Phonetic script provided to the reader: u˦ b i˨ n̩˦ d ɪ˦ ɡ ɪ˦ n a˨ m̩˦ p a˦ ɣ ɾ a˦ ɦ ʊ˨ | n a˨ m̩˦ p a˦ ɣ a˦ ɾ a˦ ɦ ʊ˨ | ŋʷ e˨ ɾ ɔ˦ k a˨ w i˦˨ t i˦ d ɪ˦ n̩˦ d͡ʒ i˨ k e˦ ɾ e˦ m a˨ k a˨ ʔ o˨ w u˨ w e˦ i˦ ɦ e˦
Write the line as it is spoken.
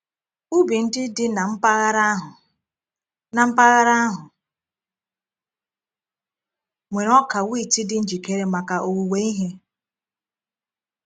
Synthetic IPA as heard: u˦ b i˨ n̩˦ d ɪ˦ d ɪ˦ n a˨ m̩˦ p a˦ ɣ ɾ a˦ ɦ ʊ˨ | n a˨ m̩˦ p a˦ ɣ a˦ ɾ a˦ ɦ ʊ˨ | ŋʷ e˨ ɾ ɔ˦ k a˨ w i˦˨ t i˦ d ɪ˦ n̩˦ d͡ʒ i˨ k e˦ ɾ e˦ m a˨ k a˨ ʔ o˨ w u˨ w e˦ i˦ ɦ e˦